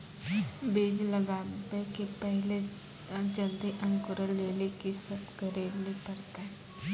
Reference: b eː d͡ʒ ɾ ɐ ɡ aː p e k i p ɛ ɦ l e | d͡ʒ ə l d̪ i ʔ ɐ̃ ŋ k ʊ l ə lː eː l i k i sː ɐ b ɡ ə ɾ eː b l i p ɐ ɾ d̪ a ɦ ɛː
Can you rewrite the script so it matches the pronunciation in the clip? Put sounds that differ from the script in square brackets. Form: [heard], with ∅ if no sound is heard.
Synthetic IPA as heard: b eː d͡ʒ [l] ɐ ɡ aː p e k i p ɛ ɦ l e | d͡ʒ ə l d̪ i ʔ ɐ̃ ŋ k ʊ [ɾ] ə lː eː l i k i [s] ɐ b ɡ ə ɾ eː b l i p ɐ ɾ [t̪] a ɦ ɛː